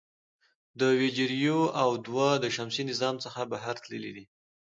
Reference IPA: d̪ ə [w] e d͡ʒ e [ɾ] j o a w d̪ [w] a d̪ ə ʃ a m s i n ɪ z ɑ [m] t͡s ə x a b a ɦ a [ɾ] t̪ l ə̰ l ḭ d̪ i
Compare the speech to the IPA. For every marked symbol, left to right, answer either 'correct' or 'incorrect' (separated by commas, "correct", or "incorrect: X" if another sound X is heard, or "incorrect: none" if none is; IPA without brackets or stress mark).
correct, correct, correct, correct, correct